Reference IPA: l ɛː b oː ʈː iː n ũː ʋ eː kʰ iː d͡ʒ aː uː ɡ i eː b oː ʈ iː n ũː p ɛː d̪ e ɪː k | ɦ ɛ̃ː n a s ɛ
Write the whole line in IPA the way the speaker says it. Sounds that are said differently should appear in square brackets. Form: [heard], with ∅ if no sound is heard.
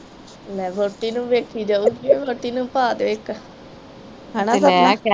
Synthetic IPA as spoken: l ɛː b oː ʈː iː n ũː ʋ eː kʰ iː d͡ʒ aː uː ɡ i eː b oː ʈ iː n ũː p [aː] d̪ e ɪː k | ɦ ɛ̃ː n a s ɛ